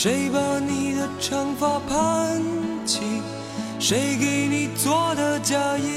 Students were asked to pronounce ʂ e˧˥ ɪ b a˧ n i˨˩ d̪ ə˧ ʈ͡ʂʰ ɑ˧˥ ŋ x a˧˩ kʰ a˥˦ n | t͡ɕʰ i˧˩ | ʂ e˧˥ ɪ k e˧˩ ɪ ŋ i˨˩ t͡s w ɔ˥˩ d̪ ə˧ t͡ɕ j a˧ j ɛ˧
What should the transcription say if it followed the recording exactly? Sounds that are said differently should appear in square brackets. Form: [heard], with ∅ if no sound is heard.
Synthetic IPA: ʂ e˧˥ ɪ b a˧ n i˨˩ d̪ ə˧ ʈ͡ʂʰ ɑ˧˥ ŋ [f] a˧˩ [pʰ] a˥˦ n | t͡ɕʰ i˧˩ | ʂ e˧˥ ɪ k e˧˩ ɪ [n] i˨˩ t͡s w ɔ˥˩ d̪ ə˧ t͡ɕ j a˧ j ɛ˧